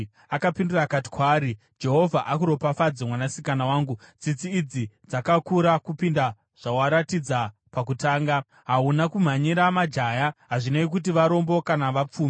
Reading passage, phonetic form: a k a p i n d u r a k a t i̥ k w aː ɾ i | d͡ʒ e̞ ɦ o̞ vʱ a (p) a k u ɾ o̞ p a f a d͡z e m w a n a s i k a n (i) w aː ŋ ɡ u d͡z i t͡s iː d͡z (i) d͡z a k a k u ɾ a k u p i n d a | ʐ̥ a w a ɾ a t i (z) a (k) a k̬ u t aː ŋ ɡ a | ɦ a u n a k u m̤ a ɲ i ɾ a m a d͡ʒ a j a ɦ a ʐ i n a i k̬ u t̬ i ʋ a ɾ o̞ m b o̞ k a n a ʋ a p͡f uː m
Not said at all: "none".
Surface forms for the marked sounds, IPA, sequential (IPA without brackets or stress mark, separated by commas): ʔ, a, i, d͡z, p